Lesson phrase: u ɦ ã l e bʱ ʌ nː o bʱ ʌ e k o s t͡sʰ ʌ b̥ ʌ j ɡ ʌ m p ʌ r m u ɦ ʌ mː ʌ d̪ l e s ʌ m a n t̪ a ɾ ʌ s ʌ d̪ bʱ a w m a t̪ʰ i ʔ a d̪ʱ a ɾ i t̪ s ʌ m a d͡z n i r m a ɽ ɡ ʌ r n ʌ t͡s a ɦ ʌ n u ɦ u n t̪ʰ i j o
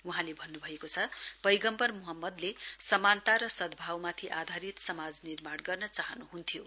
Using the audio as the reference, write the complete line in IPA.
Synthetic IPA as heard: u ɦ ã l e bʱ ʌ nː u bʱ ʌ e k o t͡sʰ ʌ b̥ ʌ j ɡ ʌ m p ʌ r m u ɦ ʌ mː ʌ d̪ l e s ʌ m a n t̪ a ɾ ʌ s ʌ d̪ bʱ a w m a t̪ʰ i ʔ a d̪ʱ a ɾ i t̪ s ʌ m a d͡z n i r m a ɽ ɡ ʌ r n ʌ t͡s a ɦ ʌ n u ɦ u n t̪ʰ i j o